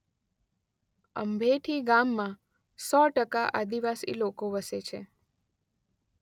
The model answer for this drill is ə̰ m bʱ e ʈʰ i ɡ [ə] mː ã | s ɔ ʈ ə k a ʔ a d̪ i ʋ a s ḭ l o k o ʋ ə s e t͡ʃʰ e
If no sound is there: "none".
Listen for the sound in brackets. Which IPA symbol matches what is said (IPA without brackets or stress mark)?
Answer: a